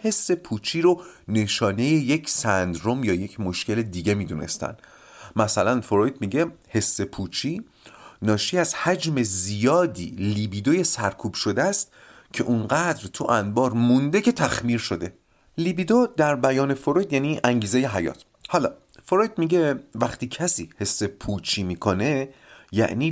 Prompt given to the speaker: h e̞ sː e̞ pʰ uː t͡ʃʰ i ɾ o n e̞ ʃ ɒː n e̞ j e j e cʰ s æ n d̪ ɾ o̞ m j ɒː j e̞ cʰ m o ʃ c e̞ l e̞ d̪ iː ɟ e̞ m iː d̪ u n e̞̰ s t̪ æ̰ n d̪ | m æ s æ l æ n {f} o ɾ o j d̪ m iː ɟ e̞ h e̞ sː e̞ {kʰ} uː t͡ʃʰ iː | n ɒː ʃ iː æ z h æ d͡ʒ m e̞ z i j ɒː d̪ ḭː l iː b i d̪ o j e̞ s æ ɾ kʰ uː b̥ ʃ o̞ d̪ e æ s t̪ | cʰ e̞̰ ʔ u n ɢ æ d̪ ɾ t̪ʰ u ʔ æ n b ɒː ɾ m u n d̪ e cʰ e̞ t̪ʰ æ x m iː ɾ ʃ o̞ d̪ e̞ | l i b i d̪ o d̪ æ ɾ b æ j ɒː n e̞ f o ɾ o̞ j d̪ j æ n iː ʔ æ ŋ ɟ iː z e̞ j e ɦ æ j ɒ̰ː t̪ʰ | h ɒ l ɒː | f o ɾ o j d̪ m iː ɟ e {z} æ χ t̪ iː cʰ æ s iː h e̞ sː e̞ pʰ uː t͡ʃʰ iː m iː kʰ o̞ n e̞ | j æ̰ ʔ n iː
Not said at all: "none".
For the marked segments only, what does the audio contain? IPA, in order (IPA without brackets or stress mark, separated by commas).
f, pʰ, v